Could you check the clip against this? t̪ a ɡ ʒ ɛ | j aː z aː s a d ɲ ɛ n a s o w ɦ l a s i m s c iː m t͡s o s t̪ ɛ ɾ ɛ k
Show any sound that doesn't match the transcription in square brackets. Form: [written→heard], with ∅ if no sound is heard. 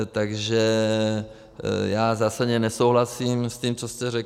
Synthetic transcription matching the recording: t̪ a ɡ ʒ ɛ | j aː z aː s a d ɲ ɛ n [a→ɛ] s o w ɦ l a s i m s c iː m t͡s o s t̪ ɛ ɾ ɛ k